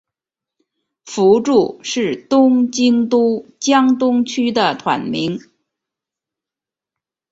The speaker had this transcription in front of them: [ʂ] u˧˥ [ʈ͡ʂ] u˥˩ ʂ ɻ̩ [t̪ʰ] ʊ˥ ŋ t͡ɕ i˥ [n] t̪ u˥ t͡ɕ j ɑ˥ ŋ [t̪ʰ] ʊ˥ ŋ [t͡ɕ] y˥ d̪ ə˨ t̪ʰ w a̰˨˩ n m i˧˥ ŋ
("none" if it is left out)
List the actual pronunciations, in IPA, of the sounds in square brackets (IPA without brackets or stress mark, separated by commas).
f, ʈ͡ʂ, t̪, ŋ, t̪, t͡ɕʰ